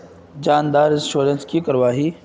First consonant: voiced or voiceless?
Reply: voiced